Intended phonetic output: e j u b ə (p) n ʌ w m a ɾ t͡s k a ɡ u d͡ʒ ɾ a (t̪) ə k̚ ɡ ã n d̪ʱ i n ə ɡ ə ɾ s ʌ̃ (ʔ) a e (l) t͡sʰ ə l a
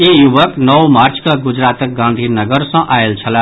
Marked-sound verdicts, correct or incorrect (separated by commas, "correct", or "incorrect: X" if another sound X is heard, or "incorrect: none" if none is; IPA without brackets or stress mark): incorrect: k, correct, correct, correct